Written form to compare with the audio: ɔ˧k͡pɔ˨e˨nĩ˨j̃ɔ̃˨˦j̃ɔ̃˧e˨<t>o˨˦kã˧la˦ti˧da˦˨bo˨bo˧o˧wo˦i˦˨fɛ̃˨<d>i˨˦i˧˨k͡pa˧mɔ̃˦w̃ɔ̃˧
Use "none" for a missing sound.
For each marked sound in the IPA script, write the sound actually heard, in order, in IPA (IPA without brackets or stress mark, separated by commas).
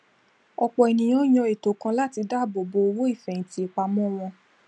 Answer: t, t